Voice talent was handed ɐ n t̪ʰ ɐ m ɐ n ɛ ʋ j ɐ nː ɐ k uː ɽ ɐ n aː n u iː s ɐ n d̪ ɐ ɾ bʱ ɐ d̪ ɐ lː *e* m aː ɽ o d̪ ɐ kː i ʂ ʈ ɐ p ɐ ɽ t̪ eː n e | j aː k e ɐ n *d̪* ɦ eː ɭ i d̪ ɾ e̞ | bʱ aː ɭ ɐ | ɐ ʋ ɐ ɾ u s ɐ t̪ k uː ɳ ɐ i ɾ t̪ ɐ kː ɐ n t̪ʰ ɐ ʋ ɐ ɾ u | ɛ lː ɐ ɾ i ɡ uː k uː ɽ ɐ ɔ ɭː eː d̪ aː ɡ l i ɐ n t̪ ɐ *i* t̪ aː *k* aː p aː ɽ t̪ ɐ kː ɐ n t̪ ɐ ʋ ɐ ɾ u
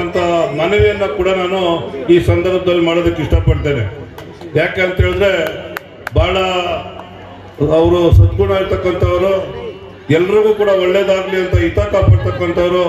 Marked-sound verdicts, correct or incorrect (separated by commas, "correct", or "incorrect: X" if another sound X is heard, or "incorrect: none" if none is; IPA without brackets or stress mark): incorrect: i, incorrect: t̪, correct, correct